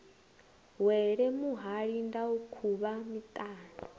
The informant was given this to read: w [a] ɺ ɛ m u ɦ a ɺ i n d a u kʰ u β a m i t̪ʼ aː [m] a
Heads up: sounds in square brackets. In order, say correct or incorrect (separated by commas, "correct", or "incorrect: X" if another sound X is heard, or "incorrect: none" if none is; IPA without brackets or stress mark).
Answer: incorrect: ɛ, incorrect: n